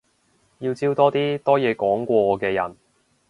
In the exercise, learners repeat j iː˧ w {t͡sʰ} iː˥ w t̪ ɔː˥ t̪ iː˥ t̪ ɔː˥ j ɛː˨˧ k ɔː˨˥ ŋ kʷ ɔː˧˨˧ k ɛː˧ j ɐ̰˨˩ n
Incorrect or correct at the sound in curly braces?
incorrect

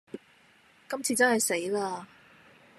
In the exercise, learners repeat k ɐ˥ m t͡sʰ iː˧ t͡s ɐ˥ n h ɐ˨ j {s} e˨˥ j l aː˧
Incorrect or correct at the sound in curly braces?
correct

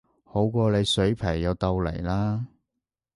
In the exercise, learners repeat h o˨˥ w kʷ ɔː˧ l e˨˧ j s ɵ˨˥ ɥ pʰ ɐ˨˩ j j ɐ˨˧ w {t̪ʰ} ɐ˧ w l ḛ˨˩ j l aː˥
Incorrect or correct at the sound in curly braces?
incorrect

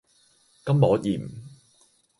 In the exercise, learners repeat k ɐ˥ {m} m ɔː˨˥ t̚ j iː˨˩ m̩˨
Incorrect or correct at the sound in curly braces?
correct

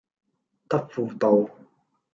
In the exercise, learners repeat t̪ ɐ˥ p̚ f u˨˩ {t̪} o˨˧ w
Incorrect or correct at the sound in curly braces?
correct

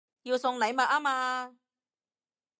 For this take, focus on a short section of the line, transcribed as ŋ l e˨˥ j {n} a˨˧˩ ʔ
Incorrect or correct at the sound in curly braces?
incorrect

